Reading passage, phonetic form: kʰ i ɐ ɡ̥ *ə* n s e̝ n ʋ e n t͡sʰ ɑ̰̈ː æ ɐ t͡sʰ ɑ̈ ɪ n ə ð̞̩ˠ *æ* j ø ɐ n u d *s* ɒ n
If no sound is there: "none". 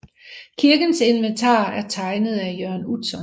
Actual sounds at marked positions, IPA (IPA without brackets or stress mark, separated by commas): ə, æ, s